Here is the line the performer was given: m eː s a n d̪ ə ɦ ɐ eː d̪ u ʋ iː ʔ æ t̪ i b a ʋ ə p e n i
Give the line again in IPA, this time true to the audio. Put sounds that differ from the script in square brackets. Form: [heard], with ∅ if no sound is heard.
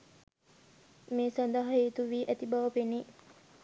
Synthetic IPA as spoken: m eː s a n d̪ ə ɦ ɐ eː [t̪] u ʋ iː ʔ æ t̪ i b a ʋ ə p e n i